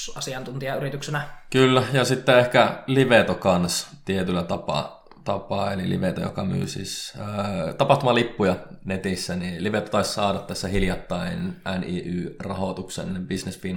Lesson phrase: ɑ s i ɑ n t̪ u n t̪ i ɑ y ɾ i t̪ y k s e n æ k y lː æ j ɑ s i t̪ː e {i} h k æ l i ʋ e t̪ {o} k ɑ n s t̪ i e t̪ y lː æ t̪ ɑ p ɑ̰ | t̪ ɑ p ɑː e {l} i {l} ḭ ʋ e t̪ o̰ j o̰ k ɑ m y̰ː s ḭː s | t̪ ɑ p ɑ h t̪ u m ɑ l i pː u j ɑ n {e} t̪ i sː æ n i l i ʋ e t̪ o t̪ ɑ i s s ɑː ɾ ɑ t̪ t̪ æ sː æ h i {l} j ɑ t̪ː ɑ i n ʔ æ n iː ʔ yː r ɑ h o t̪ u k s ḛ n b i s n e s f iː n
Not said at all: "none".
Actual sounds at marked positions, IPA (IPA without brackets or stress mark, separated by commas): e, o, l, l, e, l